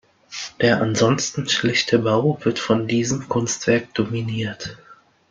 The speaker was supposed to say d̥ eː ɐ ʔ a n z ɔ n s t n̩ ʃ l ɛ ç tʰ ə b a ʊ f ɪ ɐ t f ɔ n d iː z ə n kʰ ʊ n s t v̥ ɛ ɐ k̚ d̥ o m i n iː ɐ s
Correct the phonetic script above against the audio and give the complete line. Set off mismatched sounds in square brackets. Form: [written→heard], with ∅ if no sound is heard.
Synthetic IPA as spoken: d̥ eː ɐ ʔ a n z ɔ n s t n̩ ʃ l ɛ ç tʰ ə b a ʊ [f→v] ɪ ɐ t f ɔ n d iː z ə [n→m] kʰ ʊ n s t v̥ ɛ ɐ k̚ d̥ o m i n iː ɐ [s→t]